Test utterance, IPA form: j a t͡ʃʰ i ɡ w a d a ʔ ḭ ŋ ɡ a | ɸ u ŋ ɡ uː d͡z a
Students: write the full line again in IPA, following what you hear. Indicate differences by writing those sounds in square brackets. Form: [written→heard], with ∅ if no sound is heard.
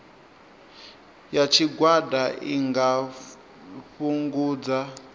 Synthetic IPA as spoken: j a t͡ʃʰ i ɡ w a d a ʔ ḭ ŋ ɡ a | ɸ u ŋ ɡ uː d͡z a